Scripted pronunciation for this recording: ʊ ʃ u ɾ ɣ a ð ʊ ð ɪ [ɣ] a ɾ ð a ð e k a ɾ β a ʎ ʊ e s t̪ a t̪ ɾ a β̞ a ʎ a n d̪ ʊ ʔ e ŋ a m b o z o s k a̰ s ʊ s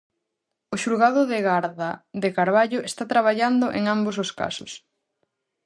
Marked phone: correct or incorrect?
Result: correct